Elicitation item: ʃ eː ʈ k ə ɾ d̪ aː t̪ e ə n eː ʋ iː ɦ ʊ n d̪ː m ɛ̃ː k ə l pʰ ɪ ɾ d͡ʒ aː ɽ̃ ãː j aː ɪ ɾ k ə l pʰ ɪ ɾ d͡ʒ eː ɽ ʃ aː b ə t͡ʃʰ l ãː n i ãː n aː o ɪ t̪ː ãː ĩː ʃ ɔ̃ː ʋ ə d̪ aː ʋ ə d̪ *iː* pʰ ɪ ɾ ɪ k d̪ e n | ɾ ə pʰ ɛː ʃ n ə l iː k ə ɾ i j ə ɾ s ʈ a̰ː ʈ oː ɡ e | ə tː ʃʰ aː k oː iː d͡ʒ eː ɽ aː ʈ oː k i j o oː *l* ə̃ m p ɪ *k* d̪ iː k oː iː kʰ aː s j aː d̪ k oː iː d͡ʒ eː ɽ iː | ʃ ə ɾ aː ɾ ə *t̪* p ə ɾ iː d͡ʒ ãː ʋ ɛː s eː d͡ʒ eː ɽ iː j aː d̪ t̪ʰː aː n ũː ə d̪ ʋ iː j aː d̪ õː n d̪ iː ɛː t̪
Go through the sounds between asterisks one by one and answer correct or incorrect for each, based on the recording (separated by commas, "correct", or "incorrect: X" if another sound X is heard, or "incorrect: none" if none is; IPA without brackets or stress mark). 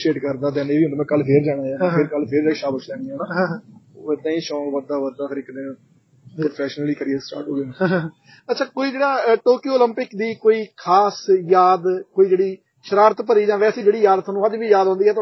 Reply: incorrect: aː, correct, correct, correct